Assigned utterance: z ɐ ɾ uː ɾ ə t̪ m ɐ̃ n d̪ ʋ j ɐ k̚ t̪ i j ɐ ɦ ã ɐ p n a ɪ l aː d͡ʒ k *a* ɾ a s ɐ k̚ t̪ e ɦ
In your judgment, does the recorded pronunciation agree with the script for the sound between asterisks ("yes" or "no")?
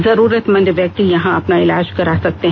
no